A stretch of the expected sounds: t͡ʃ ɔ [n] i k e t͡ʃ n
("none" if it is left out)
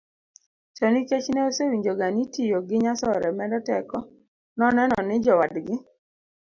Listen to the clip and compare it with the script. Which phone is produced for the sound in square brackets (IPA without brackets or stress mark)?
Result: n